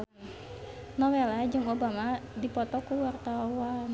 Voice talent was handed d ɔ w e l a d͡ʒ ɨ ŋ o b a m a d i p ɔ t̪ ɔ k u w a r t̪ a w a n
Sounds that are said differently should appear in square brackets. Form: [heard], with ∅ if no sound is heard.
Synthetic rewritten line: [n] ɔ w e l a d͡ʒ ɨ ŋ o b a m a d i p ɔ t̪ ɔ k u w a r t̪ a w a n